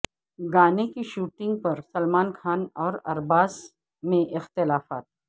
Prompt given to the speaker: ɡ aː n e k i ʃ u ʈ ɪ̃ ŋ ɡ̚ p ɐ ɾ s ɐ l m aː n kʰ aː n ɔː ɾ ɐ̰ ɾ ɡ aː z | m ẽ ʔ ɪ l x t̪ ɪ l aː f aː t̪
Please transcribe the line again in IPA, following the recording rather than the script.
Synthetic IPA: ɡ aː n e k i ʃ uː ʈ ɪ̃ ŋ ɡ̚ p ɐ ɾ s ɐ l m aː n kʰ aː n ɔː ɾ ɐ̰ ɾ b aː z | m ẽ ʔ ɪ x t̪ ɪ l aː f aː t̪